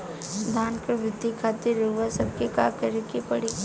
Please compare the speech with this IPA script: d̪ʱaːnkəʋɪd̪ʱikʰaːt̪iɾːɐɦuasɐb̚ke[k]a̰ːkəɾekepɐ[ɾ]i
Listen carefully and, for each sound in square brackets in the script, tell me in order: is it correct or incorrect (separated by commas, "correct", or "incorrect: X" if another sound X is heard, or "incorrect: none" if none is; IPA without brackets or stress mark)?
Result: correct, incorrect: ɽ